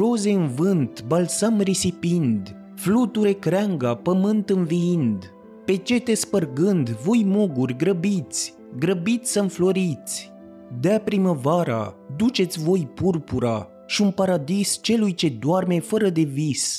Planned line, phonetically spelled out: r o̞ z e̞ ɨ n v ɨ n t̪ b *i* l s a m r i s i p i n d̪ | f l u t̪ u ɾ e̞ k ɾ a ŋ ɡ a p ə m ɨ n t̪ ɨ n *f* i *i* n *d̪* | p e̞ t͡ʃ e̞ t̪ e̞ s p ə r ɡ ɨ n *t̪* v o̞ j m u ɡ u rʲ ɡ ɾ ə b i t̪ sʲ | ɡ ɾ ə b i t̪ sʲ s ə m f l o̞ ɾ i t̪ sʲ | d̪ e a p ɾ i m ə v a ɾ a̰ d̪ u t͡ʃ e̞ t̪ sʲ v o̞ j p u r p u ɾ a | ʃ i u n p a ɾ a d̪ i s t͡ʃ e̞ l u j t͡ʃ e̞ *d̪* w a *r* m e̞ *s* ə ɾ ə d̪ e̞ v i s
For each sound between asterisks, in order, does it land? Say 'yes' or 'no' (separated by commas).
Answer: no, no, yes, yes, no, yes, yes, no